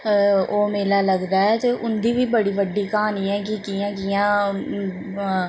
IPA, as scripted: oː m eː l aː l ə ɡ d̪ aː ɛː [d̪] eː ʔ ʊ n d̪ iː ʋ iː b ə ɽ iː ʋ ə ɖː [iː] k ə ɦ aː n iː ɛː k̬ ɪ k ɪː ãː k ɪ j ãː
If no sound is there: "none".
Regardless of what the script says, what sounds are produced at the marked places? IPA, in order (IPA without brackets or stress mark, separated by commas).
t̪, iː